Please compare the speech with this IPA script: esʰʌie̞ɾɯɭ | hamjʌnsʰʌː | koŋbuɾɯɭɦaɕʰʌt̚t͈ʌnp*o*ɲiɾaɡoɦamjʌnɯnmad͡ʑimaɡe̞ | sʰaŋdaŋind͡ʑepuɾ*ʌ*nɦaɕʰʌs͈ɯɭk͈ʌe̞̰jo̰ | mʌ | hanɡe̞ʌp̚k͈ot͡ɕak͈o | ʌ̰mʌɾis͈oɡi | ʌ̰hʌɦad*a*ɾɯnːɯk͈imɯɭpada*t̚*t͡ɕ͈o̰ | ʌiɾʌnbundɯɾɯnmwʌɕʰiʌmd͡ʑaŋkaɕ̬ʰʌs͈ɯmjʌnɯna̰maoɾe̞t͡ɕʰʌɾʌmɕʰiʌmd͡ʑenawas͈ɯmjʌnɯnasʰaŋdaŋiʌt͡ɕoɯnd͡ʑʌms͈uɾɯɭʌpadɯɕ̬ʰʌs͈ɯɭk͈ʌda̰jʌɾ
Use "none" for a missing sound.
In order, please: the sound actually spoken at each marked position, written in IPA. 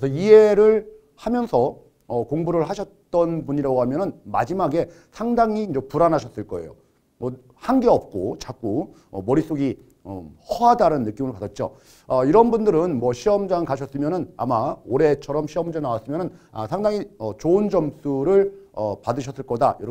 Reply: u, a, a, t̚

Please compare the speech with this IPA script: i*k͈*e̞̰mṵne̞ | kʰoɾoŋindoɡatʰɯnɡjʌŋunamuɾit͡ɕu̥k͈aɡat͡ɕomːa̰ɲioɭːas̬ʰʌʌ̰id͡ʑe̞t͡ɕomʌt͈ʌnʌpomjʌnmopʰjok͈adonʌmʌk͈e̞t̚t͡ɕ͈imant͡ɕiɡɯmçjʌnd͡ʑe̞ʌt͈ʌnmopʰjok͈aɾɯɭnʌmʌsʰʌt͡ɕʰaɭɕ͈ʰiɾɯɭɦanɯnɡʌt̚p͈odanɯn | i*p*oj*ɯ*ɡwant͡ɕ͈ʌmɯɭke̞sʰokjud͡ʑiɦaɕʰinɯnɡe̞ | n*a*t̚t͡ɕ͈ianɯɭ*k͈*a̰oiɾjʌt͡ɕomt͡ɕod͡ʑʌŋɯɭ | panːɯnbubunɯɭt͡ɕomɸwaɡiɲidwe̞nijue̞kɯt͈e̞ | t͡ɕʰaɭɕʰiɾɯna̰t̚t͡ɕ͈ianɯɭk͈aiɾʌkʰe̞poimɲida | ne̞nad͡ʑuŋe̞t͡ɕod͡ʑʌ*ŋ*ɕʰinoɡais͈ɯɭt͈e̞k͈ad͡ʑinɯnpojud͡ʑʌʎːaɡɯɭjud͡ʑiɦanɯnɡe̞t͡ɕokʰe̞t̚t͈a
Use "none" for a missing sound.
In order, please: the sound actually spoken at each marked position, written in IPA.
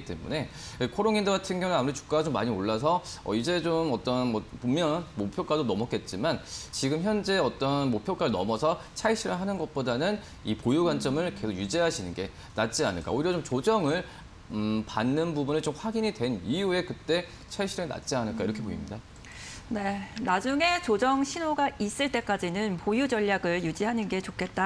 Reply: t͈, p, u, a, k͈, ŋ

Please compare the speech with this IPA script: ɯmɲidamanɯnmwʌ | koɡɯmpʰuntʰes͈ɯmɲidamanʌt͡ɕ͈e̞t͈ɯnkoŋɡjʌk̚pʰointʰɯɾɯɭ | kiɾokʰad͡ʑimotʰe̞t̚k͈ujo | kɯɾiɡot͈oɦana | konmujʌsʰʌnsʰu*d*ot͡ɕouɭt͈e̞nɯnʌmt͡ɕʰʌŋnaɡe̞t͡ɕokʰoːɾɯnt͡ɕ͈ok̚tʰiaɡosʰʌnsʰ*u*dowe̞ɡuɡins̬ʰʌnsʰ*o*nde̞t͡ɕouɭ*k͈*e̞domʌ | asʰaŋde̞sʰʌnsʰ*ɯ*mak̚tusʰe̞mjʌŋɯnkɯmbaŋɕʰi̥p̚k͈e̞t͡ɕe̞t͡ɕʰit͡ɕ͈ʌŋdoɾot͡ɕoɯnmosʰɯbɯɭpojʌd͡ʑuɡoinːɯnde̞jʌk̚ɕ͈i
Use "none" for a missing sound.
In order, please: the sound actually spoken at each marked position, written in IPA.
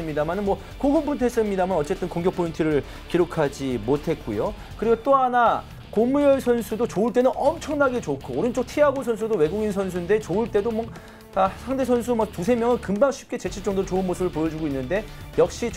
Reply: d, u, u, t͈, u

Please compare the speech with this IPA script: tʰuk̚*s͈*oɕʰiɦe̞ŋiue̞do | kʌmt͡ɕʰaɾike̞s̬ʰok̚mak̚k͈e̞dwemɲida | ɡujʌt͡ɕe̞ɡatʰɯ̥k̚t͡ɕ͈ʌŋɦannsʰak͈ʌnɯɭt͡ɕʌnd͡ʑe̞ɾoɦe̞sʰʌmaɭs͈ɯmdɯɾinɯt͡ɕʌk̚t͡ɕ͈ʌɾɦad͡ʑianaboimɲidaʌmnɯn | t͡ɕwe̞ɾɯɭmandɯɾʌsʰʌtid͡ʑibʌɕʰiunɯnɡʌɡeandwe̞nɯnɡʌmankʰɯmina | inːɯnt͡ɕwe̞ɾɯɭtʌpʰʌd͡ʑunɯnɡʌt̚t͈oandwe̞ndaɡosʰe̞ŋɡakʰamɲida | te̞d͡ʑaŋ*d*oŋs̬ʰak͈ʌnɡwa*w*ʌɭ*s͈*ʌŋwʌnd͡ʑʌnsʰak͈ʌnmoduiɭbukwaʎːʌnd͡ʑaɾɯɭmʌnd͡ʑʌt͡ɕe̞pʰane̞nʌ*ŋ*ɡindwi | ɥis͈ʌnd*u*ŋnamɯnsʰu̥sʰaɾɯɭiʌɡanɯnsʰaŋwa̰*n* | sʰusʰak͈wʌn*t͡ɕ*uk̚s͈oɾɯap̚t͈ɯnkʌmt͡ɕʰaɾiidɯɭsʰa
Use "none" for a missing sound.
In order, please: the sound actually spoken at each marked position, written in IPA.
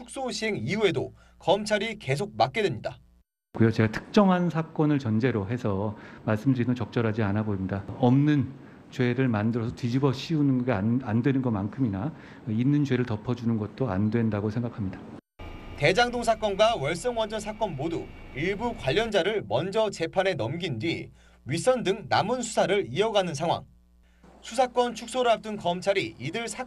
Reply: s͈, d, w, s͈, m, ɯ, ŋ, t͡ɕʰ

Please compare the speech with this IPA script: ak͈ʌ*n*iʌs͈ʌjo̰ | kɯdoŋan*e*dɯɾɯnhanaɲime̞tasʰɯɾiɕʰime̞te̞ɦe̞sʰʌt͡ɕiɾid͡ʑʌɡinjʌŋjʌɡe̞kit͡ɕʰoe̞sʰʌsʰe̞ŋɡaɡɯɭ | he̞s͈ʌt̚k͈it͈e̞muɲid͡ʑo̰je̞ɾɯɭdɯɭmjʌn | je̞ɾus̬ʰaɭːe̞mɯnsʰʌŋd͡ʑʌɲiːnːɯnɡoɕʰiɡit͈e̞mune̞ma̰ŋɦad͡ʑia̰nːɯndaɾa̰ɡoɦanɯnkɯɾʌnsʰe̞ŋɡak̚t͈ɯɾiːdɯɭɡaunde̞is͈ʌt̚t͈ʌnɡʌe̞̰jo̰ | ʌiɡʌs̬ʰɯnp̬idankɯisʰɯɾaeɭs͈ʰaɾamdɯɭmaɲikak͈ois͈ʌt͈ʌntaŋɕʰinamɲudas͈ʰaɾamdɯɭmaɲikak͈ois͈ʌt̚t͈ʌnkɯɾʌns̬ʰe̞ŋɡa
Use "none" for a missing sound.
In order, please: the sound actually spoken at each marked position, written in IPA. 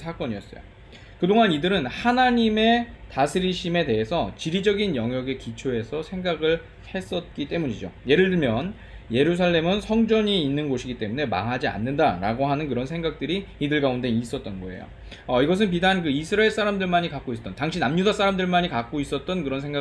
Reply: ɲ, i

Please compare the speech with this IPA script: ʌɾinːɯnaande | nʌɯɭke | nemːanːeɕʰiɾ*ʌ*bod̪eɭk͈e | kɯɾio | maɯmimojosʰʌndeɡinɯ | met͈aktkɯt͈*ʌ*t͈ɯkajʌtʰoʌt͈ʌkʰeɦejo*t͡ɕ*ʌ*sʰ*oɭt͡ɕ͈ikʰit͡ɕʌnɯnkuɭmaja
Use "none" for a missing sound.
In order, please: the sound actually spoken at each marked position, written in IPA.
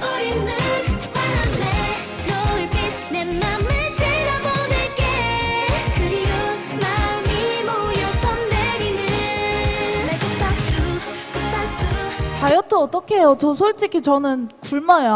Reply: a, a, t͡ɕ, sʰ

